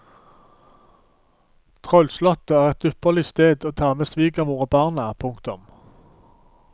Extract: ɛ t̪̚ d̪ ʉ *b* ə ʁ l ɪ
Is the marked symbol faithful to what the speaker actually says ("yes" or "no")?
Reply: no